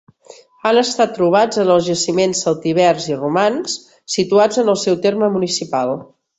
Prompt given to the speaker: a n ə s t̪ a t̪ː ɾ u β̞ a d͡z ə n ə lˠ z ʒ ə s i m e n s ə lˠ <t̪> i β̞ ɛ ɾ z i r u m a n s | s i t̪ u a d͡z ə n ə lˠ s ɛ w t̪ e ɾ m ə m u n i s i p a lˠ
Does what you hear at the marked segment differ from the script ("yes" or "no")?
no